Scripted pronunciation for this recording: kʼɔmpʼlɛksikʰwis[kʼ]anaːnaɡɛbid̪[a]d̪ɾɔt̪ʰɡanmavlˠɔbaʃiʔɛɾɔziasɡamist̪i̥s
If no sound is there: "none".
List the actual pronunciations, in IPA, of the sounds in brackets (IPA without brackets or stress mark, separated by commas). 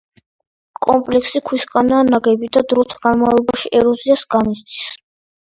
kʼ, a